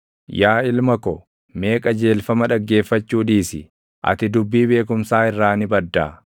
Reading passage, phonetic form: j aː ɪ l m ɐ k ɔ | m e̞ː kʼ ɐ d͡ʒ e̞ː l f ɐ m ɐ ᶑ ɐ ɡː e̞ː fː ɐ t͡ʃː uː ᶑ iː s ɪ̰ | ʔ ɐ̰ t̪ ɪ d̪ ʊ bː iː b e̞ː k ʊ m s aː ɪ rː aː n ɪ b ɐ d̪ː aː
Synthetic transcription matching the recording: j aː ɪ l m ɐ k ɔ | m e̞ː kʼ ɐ d͡ʒ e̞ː l f ɐ m ɐ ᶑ ɐ ɡː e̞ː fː ɐ t͡ʃː uː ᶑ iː s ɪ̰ | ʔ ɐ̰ t̪ ɪ d̪ ʊ bː iː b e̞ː k ʊ m s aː ɪ rː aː n ɪ b ɐ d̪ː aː